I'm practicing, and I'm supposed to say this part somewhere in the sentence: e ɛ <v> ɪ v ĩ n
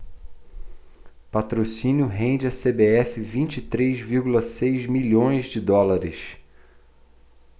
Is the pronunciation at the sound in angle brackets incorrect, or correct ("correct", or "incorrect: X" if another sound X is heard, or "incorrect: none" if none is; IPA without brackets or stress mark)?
incorrect: f